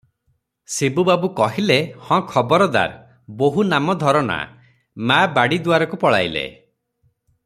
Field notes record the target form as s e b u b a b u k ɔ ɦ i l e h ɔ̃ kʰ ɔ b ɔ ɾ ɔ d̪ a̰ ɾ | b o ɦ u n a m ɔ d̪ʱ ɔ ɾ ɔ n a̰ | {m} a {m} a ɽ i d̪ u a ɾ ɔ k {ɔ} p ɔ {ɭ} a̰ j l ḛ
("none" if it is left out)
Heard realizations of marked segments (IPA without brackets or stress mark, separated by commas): m, b, u, ɭ